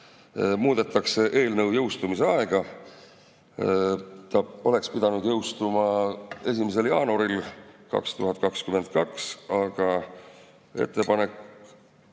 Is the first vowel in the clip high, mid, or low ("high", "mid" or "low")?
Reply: high